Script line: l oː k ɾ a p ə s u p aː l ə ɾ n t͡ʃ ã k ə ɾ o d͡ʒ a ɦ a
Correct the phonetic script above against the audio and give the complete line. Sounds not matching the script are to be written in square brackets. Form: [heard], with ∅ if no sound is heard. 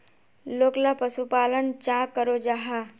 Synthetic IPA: l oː k [l] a p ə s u p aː l ə [∅] n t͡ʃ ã k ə ɾ o d͡ʒ a ɦ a